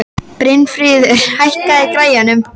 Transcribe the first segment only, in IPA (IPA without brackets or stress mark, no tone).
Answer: p